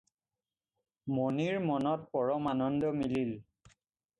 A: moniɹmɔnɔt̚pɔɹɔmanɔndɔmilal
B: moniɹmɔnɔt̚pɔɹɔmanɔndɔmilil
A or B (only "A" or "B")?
B